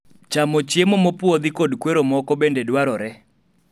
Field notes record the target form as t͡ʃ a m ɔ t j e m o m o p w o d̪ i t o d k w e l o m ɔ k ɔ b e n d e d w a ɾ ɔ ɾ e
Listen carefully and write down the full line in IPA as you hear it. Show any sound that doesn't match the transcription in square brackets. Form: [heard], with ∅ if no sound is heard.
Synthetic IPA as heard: t͡ʃ a m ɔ [t͡ʃ] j e m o m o p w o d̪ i [k] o d k w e [ɾ] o m ɔ k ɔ b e n d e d w a ɾ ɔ ɾ [ɛ]